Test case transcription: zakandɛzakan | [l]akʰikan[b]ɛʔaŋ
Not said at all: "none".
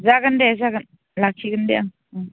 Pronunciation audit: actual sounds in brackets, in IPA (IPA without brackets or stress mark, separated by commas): l, d